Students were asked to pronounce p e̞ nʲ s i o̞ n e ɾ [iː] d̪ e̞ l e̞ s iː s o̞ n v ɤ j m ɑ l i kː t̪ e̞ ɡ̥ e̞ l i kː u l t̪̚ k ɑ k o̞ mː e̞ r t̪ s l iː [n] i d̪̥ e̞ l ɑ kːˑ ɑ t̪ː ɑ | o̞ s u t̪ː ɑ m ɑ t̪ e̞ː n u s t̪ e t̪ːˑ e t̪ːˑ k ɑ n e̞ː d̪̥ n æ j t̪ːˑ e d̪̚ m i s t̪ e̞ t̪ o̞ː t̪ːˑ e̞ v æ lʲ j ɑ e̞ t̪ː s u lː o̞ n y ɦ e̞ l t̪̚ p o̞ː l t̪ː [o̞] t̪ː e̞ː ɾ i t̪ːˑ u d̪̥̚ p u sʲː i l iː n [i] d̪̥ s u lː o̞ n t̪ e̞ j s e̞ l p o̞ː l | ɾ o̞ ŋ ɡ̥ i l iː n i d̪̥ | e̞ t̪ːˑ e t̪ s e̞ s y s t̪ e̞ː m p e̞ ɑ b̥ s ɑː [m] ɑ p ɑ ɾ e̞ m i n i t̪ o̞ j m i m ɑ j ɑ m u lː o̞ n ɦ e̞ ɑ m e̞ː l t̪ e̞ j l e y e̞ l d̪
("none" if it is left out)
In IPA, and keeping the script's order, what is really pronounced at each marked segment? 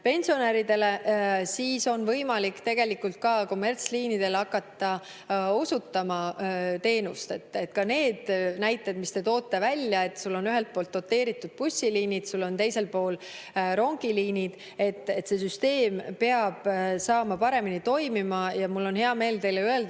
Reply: i, n, o̞, i, m

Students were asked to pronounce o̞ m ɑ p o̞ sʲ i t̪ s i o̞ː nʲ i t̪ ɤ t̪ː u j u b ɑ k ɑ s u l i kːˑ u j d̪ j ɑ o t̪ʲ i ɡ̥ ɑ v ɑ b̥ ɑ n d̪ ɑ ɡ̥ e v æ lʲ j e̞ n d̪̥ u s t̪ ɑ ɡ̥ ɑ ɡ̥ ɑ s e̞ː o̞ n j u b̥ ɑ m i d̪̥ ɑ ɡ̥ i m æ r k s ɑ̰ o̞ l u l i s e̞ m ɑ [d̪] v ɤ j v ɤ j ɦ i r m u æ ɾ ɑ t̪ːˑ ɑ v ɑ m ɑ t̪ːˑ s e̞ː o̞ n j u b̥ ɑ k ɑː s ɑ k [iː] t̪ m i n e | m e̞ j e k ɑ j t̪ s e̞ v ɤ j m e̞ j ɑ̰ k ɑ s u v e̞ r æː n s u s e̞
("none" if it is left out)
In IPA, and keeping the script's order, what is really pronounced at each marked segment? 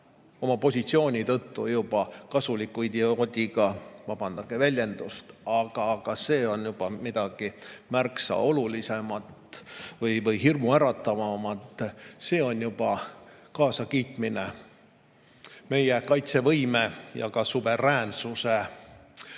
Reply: t̪, iː

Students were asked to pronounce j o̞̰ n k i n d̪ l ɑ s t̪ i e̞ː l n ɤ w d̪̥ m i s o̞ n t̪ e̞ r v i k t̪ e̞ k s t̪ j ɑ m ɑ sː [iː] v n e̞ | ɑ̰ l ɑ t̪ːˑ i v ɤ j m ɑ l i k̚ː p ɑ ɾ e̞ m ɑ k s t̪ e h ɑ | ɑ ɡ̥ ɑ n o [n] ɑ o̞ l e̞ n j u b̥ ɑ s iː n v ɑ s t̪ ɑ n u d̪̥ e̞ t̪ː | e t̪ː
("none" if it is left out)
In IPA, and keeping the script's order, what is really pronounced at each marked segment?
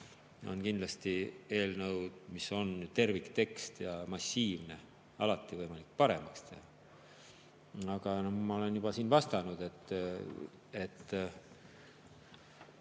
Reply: iː, m

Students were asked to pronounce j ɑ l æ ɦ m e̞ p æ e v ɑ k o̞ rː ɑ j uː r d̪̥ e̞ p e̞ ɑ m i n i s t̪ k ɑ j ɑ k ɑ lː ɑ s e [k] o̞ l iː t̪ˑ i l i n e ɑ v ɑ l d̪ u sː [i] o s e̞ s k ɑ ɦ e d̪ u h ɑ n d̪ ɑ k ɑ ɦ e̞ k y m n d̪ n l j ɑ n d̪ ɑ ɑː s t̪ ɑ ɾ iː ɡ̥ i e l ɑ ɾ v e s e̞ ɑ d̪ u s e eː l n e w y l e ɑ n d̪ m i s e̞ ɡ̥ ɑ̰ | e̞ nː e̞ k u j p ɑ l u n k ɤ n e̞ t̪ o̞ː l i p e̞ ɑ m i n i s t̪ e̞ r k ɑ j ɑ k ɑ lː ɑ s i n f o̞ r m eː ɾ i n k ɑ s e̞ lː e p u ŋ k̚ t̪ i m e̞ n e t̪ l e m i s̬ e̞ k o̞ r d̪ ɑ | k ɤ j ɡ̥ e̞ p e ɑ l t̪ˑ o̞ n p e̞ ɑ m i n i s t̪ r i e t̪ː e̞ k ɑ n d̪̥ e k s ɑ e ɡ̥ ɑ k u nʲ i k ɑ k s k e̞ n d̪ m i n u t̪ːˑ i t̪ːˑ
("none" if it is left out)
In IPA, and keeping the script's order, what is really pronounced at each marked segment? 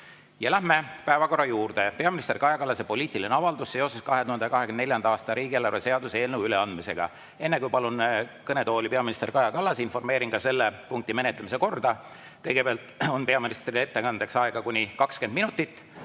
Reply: p, e

